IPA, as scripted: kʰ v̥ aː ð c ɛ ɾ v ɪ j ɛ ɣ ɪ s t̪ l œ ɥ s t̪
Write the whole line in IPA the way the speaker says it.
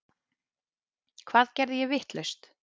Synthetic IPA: kʰ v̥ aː ð c ɛ ɾ ð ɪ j ɛ v ɪ h t̪ l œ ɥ s t̪